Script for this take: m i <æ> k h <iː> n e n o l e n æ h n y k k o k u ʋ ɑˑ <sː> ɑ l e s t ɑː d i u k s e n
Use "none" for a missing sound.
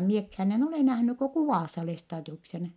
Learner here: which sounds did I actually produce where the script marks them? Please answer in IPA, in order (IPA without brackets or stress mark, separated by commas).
e, æː, sː